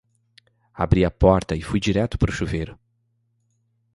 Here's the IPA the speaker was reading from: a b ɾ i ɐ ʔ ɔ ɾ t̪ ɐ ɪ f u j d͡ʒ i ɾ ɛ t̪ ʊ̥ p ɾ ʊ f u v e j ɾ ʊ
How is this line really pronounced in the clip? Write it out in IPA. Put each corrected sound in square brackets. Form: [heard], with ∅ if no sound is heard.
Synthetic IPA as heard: a b ɾ i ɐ [p] ɔ ɾ t̪ ɐ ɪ f u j d͡ʒ i ɾ ɛ t̪ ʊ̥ p ɾ ʊ [ʃ] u v e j ɾ ʊ